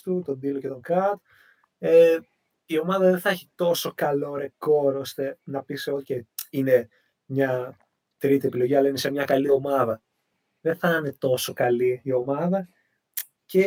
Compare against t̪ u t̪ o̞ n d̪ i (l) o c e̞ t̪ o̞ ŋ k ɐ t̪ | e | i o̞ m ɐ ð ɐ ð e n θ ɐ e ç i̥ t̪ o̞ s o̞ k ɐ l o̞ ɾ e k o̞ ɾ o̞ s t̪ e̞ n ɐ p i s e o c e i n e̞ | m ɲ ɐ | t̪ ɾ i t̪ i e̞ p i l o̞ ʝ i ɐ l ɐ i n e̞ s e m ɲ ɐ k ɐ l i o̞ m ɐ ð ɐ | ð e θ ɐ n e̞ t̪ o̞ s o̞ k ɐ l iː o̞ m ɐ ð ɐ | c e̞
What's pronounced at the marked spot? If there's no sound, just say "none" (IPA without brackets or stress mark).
l